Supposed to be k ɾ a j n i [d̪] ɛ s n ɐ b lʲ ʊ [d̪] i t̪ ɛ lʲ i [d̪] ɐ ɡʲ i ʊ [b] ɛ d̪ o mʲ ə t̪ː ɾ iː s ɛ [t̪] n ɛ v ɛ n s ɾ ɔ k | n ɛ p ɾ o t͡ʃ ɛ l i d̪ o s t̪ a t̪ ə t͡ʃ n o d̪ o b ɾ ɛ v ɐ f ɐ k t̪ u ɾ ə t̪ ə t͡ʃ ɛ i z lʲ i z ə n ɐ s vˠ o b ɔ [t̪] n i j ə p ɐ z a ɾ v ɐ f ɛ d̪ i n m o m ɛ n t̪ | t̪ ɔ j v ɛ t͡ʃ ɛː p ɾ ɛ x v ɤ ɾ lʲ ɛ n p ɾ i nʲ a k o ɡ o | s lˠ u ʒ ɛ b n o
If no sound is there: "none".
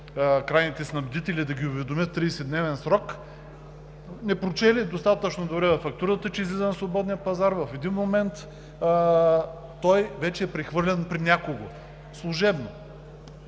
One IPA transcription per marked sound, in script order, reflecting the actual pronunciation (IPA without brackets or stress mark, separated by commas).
t̪, d̪, d̪, v, d̪, d̪